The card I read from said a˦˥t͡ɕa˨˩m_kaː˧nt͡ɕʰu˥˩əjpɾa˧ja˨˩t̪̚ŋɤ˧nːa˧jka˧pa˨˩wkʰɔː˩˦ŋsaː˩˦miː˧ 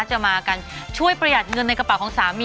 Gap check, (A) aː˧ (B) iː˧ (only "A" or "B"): A